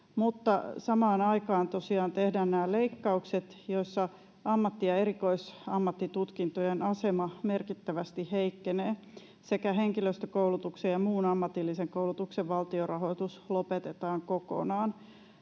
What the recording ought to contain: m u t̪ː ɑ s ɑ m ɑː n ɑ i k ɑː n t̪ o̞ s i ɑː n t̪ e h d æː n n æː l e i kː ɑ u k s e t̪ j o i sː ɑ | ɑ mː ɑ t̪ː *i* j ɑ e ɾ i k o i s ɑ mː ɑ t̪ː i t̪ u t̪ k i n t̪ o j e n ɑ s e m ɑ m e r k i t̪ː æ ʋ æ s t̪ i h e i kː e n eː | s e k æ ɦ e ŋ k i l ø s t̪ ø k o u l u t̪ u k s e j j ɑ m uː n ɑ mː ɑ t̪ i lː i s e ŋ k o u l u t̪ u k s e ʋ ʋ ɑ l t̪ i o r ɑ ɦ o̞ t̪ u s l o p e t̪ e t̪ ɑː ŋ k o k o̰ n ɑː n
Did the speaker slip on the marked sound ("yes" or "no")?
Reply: no